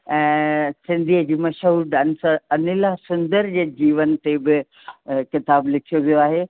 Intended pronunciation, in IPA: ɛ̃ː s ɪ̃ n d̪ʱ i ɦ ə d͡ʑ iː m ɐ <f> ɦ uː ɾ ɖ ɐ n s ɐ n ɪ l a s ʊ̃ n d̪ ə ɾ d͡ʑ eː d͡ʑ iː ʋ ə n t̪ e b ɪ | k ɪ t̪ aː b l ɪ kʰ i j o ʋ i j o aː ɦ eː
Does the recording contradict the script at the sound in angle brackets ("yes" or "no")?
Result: yes